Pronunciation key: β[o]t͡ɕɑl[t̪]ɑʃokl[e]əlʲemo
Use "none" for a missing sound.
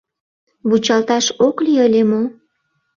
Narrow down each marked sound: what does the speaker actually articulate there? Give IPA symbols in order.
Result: u, t̪, i

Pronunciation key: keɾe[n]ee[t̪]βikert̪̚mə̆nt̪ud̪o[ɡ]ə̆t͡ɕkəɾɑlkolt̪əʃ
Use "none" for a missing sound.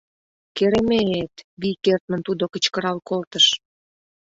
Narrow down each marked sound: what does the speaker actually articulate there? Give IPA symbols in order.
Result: m, t̪, k

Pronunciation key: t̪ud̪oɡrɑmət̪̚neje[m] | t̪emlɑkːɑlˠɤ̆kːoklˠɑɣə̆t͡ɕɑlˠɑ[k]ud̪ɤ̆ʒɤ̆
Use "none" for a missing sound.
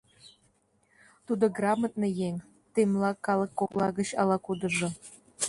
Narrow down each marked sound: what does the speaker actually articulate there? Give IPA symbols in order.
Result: ŋ, k

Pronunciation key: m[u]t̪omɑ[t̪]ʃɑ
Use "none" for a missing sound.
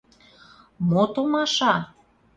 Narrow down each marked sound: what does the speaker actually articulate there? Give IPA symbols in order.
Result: o, none

